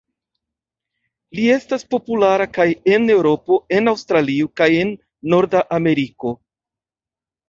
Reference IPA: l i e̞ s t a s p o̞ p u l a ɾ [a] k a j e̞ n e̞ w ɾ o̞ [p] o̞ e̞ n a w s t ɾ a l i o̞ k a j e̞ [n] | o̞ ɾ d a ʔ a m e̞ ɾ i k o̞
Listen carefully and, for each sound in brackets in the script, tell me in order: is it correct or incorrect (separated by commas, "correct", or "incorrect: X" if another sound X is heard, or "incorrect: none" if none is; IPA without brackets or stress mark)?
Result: correct, correct, incorrect: nː